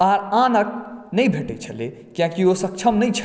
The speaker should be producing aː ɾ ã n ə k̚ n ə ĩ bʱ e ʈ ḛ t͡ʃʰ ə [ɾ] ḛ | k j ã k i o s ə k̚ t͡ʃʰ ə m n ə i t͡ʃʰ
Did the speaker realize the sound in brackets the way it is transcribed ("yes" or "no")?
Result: no